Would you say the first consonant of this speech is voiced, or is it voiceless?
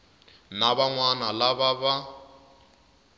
voiced